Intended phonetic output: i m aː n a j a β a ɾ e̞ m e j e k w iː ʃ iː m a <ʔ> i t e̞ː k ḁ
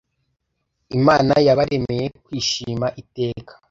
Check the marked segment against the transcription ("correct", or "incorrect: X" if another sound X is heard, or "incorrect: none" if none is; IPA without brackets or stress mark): correct